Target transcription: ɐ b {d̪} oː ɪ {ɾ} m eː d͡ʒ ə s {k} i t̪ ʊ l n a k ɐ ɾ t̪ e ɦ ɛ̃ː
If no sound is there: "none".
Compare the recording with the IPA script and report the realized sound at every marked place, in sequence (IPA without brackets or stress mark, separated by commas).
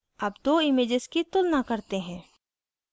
d̪, none, k